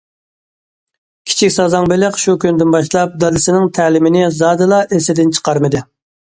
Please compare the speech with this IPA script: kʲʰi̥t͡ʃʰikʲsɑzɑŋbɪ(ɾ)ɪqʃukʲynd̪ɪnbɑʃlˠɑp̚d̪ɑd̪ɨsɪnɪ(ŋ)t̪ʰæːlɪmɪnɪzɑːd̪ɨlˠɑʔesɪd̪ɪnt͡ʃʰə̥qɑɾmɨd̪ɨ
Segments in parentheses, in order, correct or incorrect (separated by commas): incorrect, correct